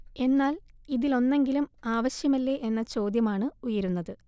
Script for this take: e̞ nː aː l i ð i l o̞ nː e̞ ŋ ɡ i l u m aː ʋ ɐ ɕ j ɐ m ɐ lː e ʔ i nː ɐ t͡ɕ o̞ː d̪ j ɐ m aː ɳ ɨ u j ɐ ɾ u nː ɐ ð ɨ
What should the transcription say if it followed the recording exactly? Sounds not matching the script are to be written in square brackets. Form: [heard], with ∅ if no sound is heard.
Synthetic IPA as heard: e̞ nː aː l i ð i l o̞ nː e̞ ŋ ɡ i l u m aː ʋ ɐ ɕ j ɐ m ɐ lː e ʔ [e] nː ɐ t͡ɕ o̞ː d̪ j ɐ m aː ɳ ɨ u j ɐ ɾ u nː ɐ ð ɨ